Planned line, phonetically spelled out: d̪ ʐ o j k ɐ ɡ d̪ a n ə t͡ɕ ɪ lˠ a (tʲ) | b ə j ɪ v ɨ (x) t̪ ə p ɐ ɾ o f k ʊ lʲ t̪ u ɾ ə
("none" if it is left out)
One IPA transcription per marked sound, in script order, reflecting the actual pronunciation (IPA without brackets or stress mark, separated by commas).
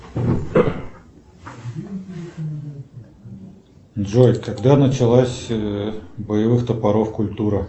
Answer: sʲ, x